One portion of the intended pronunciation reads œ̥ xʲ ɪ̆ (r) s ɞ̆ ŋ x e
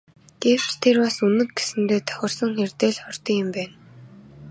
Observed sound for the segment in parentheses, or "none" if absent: r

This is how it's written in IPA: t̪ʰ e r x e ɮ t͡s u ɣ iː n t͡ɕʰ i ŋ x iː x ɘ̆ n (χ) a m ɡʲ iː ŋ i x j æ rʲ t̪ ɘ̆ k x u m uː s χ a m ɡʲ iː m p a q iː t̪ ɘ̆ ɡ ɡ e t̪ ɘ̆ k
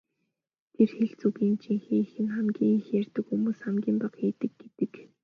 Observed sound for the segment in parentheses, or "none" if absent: χ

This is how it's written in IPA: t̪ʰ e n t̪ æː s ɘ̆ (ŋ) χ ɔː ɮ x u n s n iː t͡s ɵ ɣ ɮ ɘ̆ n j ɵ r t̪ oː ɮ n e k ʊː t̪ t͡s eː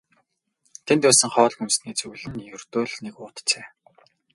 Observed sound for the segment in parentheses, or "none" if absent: ŋ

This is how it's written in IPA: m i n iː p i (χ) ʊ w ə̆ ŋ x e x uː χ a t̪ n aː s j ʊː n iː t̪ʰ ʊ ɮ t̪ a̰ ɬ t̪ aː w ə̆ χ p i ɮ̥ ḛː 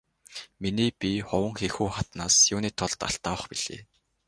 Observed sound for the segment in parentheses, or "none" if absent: χ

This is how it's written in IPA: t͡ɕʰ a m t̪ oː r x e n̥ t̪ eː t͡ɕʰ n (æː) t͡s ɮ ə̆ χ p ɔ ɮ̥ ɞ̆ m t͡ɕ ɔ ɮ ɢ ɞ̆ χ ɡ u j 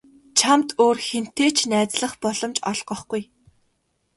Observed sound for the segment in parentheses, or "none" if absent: æː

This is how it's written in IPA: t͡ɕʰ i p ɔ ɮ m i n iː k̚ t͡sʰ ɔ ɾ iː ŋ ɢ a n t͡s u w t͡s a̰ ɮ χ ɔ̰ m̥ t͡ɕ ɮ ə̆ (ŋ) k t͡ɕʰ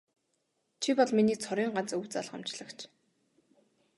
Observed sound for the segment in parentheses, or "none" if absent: none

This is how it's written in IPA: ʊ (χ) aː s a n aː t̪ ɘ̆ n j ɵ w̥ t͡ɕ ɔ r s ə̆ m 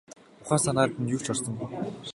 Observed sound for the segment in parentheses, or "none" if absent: χ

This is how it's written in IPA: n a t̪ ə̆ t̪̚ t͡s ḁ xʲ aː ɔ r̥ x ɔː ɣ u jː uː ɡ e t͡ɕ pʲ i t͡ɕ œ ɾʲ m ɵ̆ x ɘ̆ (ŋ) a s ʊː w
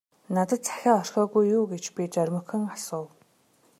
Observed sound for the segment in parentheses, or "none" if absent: ŋ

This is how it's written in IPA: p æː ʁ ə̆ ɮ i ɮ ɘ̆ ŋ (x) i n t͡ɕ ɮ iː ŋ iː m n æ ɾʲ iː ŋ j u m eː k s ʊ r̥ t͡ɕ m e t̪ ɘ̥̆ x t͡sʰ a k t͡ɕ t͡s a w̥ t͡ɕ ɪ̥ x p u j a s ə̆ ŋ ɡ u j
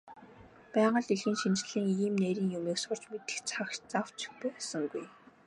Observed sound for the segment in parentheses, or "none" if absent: ʃ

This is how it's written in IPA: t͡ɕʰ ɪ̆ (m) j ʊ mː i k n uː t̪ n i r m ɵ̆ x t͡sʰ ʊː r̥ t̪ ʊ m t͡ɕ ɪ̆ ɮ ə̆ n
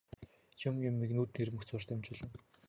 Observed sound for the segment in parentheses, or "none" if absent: m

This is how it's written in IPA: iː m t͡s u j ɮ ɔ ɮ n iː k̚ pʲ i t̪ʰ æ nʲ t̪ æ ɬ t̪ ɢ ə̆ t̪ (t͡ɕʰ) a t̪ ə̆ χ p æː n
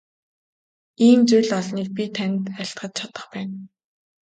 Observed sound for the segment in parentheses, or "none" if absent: t͡ɕʰ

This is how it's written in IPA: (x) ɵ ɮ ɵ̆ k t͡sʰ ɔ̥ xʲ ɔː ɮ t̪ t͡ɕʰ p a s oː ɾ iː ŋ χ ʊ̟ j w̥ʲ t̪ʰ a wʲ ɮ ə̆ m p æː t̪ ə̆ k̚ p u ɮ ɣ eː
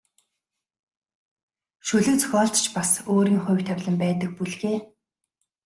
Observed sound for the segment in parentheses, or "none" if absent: ʃ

